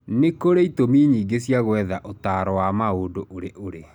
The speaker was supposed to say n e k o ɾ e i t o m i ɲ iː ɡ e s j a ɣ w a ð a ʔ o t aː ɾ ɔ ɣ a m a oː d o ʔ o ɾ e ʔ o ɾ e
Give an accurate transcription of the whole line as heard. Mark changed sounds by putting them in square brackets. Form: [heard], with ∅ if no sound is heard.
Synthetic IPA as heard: n e k o ɾ e i t o m i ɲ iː ɡ e s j a ɣ w [ɛ] ð a ʔ o t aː ɾ ɔ [w] a m a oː d o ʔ o ɾ e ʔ o ɾ e